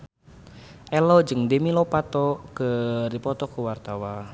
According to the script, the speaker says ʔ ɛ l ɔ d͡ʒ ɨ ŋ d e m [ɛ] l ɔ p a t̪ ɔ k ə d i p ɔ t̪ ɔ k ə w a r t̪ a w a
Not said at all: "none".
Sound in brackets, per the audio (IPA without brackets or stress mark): i